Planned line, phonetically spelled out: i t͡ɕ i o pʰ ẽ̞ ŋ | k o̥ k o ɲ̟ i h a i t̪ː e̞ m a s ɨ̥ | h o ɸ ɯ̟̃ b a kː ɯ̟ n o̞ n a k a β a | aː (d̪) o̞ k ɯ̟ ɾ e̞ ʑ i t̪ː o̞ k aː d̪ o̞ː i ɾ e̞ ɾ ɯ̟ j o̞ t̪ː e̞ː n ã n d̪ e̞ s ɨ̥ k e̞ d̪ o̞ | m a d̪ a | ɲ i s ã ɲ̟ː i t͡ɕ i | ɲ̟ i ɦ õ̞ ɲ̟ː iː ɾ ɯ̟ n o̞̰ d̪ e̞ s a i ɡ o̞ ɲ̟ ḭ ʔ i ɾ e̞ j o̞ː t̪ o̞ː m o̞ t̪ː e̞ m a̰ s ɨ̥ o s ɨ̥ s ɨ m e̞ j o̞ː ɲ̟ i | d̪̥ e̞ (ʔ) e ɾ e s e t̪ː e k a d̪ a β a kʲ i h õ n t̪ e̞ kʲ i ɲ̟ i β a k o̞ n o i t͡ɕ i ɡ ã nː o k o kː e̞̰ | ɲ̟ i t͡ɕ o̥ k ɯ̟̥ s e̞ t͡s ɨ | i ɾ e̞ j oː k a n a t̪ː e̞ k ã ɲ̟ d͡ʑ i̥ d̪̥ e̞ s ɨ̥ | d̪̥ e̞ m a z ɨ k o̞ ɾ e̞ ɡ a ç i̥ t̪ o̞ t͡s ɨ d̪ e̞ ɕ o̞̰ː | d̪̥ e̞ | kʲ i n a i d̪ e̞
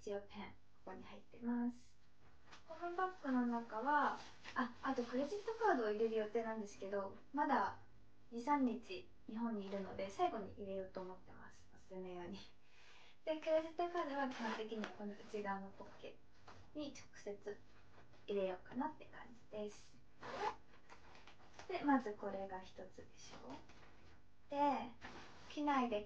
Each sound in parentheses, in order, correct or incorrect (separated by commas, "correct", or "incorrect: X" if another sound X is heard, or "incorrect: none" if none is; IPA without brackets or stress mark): incorrect: t̪, incorrect: k